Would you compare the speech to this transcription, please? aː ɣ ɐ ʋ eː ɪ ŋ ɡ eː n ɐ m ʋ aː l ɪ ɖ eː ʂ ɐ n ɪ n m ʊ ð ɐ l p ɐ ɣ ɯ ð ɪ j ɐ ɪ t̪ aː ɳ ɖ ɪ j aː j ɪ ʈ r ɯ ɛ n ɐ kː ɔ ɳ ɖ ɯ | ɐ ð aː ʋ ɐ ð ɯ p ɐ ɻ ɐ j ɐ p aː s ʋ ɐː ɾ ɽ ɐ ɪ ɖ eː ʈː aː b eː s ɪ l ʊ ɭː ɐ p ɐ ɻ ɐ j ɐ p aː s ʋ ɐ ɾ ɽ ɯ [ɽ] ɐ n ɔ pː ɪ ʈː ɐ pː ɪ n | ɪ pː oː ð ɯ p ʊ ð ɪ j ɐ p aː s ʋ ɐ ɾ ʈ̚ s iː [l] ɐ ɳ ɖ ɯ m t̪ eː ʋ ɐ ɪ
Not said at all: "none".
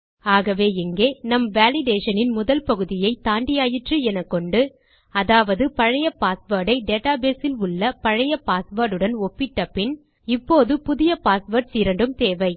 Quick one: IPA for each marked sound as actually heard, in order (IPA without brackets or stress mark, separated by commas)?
ɽ, ɾ